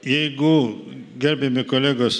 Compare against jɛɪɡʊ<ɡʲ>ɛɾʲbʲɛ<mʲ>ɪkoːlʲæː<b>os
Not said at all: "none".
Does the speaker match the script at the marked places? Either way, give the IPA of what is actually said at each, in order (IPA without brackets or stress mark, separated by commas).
ɡʲ, mʲ, ɡ